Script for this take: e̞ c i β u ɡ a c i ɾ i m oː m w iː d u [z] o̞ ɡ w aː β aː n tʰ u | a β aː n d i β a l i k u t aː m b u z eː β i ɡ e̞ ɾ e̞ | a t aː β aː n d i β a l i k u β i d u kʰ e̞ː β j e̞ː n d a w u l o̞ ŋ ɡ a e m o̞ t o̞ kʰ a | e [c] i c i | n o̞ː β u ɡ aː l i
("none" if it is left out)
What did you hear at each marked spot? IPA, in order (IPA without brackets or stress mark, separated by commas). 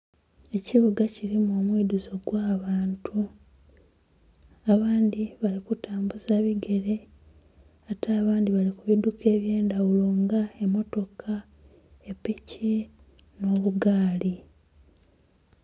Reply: z, p